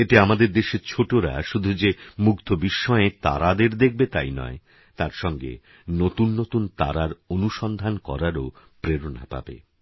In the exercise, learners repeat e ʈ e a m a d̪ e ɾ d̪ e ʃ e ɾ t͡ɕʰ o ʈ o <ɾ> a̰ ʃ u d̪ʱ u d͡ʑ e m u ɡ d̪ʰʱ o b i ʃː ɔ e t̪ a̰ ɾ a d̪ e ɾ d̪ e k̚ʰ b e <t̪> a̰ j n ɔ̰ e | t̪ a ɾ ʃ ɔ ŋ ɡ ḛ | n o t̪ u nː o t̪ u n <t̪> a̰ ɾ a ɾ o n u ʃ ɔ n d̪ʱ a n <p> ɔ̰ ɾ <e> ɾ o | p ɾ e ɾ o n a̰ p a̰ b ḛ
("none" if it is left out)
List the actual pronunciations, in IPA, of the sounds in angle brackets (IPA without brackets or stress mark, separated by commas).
ɾ, t̪, t̪, k, a